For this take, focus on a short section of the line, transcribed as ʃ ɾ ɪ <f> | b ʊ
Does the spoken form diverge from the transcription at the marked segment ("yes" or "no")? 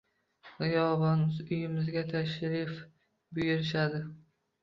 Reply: no